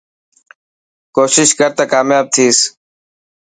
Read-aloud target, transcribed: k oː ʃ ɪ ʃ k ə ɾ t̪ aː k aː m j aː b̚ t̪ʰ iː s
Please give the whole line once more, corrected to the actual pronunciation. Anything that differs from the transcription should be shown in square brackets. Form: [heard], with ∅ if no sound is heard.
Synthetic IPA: k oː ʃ ɪ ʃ k ə ɾ t̪ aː k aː m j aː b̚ t̪ʰ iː s